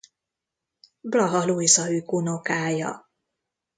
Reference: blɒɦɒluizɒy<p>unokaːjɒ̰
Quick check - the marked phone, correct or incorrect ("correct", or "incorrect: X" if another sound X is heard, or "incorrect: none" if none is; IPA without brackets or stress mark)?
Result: incorrect: k